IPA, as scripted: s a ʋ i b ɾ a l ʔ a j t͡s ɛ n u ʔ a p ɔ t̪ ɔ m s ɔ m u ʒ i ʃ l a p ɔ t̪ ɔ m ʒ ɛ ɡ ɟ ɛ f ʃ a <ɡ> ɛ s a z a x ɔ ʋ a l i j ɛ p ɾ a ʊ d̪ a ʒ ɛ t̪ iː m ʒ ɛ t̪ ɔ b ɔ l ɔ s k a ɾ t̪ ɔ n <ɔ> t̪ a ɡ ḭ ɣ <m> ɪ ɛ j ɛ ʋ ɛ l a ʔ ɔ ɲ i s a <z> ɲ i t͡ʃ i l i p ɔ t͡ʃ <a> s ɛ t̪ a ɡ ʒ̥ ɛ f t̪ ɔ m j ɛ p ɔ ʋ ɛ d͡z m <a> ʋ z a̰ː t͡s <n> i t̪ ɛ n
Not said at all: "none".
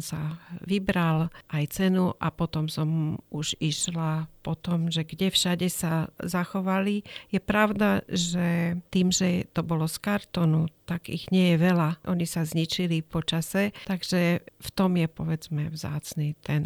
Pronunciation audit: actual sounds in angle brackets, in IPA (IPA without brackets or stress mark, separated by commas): ɟ, u, ɲ, z, a, ɛ, n